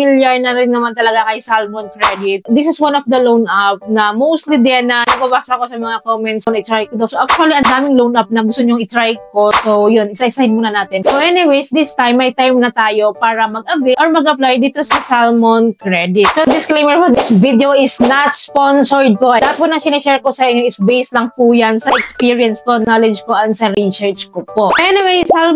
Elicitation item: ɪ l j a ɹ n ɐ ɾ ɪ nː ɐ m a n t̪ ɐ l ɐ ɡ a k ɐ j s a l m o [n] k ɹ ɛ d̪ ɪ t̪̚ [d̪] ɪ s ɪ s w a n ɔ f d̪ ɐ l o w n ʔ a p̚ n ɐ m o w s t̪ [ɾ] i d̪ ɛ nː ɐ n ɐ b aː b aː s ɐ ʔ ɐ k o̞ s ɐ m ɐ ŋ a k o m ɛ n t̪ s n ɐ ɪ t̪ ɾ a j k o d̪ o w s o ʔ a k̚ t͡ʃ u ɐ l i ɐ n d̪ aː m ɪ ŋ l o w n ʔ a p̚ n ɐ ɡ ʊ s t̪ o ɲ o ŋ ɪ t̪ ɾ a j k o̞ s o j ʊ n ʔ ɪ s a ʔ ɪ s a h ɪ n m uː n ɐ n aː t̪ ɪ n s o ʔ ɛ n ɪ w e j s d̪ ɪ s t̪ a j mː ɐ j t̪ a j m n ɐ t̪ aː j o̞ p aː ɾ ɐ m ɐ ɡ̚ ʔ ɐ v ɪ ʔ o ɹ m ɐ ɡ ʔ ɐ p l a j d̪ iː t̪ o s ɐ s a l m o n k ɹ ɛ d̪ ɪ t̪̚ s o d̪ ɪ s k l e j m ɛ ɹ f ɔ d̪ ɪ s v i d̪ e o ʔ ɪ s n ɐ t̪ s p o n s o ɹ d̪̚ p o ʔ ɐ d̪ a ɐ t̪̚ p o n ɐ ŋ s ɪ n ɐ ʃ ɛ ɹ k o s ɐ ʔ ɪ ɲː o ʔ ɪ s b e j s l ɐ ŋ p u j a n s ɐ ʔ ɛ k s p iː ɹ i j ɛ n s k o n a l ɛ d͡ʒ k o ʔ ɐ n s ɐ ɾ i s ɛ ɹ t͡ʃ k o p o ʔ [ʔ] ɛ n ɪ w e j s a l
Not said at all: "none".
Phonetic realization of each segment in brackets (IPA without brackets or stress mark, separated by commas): n, d̪, l, ʔ